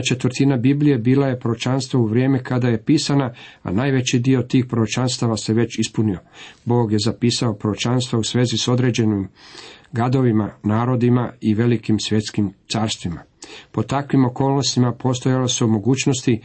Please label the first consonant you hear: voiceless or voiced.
voiceless